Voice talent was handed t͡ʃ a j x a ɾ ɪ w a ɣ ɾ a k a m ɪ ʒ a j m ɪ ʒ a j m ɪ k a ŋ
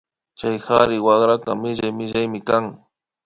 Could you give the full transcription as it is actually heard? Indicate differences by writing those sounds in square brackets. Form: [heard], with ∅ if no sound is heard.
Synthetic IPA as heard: t͡ʃ a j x a ɾ ɪ w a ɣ ɾ a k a m ɪ ʒ a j m ɪ ʒ a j m ɪ k a ŋ